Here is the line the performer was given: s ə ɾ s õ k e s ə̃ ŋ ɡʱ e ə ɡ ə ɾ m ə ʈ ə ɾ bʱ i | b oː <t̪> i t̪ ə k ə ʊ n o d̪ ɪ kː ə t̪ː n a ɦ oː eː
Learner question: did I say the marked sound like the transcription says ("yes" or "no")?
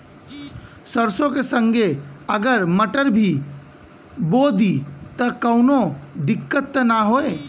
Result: no